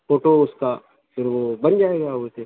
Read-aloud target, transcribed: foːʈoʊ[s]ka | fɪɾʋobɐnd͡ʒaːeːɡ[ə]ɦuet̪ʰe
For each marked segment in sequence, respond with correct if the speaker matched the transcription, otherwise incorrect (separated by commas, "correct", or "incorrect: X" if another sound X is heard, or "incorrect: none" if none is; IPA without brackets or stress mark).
correct, incorrect: a